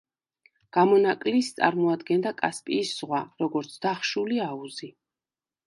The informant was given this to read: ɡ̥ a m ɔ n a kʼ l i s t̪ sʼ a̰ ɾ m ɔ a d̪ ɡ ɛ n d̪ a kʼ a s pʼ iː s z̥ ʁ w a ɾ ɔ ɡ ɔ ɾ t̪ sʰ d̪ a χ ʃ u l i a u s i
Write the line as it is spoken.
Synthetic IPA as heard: ɡ̥ a m ɔ n a kʼ l i s t̪ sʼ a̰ ɾ m ɔ a d̪ ɡ ɛ n d̪ a kʼ a s pʼ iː s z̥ ʁ w a ɾ ɔ ɡ ɔ ɾ t̪ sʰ d̪ a χ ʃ u l i a u z i